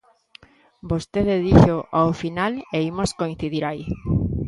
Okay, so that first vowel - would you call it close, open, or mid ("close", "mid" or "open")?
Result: mid